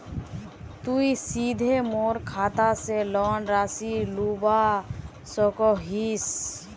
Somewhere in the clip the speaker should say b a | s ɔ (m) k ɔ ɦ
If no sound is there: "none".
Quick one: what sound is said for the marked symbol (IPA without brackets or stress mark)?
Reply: none